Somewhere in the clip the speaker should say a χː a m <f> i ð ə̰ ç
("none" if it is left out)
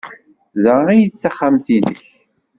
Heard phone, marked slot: θ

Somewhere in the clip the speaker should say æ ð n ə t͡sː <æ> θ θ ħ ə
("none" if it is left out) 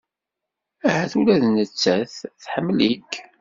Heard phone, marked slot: æ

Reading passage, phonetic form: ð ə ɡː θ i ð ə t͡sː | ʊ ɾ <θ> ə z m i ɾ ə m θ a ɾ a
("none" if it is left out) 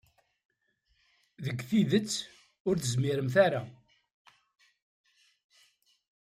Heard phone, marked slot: θ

